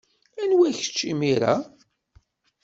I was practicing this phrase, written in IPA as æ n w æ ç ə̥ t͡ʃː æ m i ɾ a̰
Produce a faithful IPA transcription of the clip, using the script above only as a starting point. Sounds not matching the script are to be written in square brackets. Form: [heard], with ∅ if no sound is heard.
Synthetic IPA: æ n w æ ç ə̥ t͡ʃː [i] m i ɾ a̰

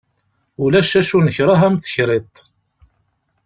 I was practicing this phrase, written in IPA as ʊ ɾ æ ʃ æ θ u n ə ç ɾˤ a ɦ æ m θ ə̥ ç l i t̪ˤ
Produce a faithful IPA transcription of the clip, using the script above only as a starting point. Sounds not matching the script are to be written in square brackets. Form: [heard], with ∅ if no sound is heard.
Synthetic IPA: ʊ [l] æ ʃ æ [ʃ] u n ə ç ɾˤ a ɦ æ m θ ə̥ ç [ɾ] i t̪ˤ

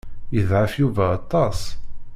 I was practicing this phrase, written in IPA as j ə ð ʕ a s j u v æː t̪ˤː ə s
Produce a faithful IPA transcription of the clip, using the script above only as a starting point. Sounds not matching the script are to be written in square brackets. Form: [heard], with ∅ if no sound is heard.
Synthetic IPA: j ə ð ʕ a [f] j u v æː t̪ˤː [ɑ] s

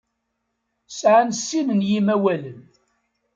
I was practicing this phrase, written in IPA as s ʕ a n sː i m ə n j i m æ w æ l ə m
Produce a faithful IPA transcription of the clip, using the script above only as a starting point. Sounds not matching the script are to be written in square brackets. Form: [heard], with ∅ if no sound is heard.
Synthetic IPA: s ʕ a n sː i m ə n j i m æ w æ l ə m

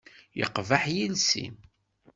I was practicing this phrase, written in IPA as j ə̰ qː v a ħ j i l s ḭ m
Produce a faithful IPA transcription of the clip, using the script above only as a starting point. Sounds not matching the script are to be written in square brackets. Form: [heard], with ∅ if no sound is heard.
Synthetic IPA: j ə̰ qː v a ħ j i l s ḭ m

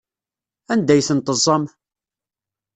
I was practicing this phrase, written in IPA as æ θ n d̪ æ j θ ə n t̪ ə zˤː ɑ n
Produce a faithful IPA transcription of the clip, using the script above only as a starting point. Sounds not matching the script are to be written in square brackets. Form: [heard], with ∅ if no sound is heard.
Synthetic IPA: æ [∅] n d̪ æ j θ ə n t̪ ə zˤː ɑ [m]

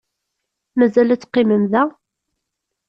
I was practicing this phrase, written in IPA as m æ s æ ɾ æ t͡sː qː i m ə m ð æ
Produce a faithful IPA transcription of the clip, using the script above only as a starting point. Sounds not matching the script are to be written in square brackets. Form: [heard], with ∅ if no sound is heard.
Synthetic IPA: m æ [z] æ [l] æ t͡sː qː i m ə m ð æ

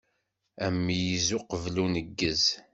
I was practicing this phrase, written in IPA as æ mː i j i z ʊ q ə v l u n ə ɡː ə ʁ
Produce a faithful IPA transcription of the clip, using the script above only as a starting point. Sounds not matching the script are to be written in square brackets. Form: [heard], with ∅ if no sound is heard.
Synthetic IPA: æ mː i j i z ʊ q ə v l u n ə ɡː ə [z]

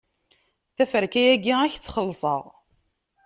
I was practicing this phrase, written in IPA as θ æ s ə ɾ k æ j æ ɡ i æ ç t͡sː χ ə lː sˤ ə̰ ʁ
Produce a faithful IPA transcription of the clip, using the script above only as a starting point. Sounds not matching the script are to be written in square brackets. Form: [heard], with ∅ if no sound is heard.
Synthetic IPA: θ æ [f] ə ɾ k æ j æ ɡ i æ ç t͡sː χ ə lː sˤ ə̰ ʁ

